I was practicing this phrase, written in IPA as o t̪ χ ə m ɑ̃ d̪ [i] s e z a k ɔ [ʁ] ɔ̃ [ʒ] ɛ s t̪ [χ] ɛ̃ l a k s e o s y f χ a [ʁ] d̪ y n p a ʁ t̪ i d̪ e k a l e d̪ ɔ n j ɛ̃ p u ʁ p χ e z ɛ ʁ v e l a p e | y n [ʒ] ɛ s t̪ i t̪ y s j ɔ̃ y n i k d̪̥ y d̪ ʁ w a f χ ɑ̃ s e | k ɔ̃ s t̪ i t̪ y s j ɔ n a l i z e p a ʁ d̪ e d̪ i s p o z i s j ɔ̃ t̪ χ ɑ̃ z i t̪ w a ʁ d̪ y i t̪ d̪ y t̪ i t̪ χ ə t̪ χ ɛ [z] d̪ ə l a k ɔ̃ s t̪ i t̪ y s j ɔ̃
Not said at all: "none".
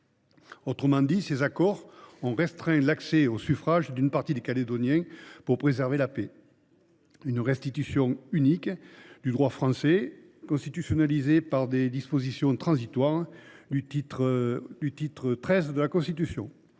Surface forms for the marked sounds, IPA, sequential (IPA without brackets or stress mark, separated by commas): i, ʁ, ʁ, χ, ʒ, ʁ, z